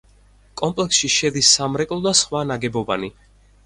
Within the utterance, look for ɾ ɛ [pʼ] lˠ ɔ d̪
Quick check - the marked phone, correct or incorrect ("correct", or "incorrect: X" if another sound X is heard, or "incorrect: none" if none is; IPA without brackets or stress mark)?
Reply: incorrect: kʼ